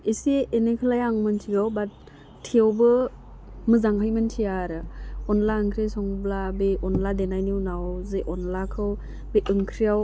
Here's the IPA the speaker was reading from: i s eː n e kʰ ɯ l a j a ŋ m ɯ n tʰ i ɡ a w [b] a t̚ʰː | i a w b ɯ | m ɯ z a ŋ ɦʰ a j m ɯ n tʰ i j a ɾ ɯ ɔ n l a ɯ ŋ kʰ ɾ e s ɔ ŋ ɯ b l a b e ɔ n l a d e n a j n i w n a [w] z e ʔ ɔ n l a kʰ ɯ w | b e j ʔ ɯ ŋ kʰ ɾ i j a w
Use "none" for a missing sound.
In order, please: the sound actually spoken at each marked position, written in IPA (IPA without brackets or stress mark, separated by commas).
b, w